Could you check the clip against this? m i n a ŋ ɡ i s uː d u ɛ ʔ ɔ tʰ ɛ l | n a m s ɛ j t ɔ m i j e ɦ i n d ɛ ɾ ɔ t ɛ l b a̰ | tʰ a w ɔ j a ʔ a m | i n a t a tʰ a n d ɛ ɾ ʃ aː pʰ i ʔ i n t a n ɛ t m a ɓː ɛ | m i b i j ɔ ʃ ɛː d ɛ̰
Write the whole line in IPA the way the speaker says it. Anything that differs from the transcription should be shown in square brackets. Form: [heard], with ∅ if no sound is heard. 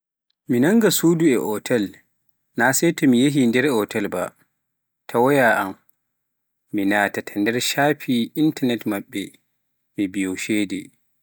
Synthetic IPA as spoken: m i n a ŋ ɡ [a] s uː d u ɛ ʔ ɔ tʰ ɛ l | n a [∅] s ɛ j t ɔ m i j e ɦ i n d ɛ ɾ ɔ t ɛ l b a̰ | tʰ a w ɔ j a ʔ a m | i n a t a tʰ a n d ɛ ɾ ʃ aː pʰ i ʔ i n t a n ɛ t m a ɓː ɛ | m i b i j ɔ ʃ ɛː d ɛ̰